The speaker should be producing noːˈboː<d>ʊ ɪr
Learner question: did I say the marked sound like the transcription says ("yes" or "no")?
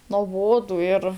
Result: yes